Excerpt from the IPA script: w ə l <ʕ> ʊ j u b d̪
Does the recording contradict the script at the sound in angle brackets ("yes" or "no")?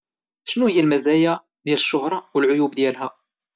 no